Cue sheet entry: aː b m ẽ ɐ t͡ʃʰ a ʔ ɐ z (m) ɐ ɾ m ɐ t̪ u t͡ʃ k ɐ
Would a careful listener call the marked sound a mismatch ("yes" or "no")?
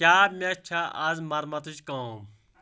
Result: no